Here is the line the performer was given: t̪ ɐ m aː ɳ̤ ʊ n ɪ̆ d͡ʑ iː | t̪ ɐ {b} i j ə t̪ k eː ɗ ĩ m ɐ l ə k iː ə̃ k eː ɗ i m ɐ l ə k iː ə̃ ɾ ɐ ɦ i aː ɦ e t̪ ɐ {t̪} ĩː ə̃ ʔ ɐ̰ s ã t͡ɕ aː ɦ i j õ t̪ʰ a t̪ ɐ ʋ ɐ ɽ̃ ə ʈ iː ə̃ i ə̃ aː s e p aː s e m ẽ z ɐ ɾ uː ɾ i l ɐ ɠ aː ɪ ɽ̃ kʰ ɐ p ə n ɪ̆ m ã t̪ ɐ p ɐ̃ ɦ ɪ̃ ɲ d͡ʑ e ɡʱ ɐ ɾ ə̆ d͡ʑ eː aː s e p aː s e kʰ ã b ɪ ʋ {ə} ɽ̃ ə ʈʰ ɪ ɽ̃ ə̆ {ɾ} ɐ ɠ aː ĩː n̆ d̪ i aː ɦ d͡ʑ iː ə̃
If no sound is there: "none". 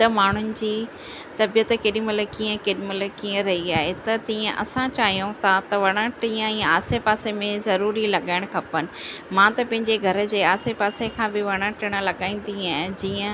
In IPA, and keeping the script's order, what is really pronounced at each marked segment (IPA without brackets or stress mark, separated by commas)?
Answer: b, t̪, ɐ, l